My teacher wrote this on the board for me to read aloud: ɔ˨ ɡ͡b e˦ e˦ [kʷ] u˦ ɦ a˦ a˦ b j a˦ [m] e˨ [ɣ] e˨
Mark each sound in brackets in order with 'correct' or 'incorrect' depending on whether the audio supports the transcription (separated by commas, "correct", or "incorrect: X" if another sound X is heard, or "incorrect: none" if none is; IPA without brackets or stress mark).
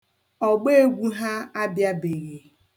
incorrect: ɡʷ, incorrect: b, correct